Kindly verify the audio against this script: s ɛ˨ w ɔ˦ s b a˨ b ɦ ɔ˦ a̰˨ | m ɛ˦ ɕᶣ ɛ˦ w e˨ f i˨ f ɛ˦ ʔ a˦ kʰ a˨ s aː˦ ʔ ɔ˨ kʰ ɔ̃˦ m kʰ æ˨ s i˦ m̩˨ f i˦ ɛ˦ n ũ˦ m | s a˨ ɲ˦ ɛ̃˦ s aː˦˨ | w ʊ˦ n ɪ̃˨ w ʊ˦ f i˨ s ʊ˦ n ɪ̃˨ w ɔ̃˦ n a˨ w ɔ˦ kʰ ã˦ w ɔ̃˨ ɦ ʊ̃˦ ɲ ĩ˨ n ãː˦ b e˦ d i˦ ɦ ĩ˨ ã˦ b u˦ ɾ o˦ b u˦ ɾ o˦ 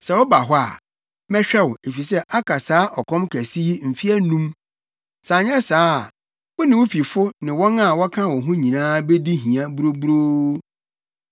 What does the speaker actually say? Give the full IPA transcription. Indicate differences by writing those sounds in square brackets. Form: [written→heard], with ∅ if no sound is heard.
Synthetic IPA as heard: s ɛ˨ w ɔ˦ [s→∅] b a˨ [b→∅] ɦ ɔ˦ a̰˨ | m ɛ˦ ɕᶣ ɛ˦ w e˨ f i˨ [f→s] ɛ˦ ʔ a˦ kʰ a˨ s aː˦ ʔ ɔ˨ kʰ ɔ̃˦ m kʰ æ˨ s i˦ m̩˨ f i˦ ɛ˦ n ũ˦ m | s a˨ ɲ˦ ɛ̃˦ s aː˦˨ | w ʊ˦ n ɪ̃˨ w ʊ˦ f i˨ [s→f] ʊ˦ n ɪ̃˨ w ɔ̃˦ n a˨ w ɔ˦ kʰ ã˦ w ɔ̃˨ ɦ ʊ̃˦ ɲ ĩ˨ n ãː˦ b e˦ d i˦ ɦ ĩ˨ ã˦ b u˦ ɾ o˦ b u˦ ɾ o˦

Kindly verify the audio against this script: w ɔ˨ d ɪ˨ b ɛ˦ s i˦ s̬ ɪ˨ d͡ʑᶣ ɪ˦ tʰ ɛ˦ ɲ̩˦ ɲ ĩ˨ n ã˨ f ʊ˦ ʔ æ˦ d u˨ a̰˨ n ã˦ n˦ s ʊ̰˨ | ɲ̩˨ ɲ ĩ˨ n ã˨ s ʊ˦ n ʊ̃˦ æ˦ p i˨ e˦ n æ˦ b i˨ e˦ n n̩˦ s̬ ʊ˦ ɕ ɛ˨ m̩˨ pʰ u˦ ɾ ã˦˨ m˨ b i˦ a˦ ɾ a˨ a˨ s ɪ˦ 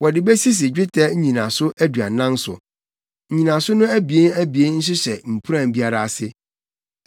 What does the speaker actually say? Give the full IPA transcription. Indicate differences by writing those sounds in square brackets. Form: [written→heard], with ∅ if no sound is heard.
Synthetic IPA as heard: w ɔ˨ d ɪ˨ b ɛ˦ s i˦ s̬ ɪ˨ d͡ʑᶣ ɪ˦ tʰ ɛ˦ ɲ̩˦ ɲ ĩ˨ n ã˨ [f→s] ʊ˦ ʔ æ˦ d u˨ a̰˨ n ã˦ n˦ s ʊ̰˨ | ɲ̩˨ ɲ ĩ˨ n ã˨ s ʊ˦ n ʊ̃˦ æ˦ [p→b] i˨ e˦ n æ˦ b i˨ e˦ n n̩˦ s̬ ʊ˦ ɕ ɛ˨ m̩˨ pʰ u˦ ɾ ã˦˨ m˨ b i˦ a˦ ɾ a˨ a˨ s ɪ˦

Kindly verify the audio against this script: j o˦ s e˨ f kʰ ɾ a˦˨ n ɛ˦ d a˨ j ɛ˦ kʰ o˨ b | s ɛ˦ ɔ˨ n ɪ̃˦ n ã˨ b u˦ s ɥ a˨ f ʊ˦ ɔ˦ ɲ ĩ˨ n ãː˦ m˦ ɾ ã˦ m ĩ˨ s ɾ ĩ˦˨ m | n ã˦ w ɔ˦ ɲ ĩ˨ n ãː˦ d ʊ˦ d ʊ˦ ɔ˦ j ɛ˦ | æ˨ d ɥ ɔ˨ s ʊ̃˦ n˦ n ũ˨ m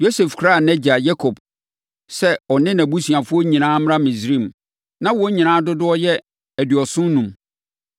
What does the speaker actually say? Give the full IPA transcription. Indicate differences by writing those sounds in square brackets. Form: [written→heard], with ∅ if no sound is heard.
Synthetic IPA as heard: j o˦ s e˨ f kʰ ɾ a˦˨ n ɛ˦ [d→d͡ʑ] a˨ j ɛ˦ kʰ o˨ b | s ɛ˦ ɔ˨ n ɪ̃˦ n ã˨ b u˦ s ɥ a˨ f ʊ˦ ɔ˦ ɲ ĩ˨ n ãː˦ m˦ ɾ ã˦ m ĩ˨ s ɾ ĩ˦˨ m | n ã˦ w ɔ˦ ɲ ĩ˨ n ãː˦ d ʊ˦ d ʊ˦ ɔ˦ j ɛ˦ | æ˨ d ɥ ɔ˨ s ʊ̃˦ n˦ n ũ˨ m

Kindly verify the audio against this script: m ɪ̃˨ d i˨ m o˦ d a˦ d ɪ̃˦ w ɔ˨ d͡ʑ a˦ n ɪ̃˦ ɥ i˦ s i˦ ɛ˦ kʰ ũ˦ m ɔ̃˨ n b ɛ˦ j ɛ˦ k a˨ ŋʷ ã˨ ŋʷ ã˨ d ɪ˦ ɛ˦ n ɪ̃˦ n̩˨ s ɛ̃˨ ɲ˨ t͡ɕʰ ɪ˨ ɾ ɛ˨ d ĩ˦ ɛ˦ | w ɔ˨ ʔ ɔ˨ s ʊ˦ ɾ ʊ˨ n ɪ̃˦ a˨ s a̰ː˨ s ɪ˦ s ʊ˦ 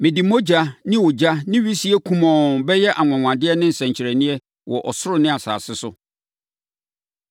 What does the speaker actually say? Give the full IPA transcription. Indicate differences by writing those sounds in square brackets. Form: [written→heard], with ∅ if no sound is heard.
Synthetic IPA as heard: m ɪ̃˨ d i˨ m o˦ [d→d͡ʑ] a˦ [d→n] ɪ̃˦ w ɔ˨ d͡ʑ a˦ n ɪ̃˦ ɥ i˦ s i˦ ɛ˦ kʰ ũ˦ m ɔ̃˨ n b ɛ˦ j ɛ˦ [k→ʔ] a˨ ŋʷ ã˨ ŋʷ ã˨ d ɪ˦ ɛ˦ n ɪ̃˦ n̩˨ s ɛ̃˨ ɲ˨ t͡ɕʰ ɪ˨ ɾ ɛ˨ [d→n] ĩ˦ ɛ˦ | w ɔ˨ ʔ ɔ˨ s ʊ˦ ɾ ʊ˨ n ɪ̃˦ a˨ s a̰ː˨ s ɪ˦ s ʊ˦

